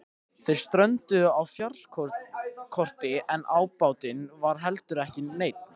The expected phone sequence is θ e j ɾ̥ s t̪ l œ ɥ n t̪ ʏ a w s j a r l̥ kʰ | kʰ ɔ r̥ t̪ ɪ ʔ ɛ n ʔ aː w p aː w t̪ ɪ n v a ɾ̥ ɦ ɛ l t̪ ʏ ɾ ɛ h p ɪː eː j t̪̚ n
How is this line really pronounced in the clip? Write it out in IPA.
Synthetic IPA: θ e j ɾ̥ s t̪ ɾ œ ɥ n t̪ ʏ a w f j a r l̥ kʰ | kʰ ɔ r̥ t̪ ɪ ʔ ɛ n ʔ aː w p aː w t̪ ɪ n v a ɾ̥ ɦ ɛ l t̪ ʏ ɾ ɛ h c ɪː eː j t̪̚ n